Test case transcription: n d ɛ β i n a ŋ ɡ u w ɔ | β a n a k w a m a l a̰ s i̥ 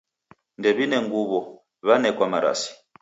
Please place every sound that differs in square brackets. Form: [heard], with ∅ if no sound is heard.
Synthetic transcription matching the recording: n d ɛ β i n [ɛ] ŋ ɡ u [β] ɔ | β a n [ɛ] k w a m a [ɾ] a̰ s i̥